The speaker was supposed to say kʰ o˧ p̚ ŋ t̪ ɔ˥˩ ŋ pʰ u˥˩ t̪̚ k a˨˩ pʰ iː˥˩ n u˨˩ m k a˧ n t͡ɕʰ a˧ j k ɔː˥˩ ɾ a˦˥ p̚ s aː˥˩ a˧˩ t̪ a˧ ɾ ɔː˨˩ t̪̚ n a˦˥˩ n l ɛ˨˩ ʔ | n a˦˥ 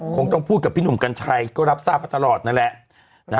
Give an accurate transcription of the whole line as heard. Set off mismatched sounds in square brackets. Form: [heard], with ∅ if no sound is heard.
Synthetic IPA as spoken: kʰ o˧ [∅] ŋ t̪ ɔ˥˩ ŋ pʰ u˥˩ t̪̚ k a˨˩ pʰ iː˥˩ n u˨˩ m k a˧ n t͡ɕʰ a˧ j k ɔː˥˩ ɾ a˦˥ p̚ s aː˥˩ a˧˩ t̪ a˧ [l] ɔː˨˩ t̪̚ n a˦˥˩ n l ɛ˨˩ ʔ | n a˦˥